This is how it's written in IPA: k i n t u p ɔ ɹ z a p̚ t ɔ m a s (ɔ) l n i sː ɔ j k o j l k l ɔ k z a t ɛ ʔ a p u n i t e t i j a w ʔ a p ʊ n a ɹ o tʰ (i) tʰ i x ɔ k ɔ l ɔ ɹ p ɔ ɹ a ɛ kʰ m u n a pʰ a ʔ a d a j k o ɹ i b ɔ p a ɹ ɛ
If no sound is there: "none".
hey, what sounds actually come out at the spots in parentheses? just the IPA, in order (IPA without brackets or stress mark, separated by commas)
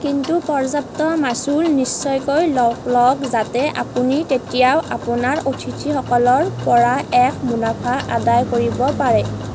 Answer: u, i